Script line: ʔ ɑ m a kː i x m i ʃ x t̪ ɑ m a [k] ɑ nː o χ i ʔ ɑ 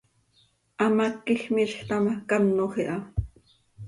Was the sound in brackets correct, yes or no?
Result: yes